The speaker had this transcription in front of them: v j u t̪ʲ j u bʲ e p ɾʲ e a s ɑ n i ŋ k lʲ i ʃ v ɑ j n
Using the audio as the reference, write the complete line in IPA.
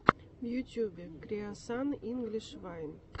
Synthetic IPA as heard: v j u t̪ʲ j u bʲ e k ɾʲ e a s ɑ n i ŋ ɡ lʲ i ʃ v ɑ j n